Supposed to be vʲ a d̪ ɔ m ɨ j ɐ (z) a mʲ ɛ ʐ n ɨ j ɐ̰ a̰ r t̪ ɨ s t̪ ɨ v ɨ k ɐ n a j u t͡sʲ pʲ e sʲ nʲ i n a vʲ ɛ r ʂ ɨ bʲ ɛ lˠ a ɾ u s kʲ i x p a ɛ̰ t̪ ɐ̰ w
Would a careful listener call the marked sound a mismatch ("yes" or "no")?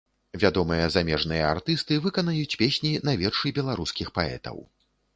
no